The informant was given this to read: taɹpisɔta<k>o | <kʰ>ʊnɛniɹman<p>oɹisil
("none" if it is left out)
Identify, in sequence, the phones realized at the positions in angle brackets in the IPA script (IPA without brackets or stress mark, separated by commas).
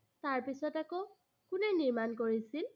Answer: k, k, k